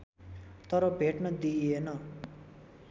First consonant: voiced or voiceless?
voiceless